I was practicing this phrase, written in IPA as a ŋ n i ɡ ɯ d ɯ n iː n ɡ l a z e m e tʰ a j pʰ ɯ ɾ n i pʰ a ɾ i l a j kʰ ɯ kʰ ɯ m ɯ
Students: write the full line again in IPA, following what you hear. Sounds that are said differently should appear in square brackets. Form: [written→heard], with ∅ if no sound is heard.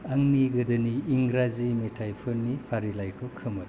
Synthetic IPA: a ŋ n i ɡ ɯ d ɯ n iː [n→ŋ] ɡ [l→ɾ] a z [e→i] m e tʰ a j pʰ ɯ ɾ n i pʰ a ɾ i l a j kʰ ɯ kʰ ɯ m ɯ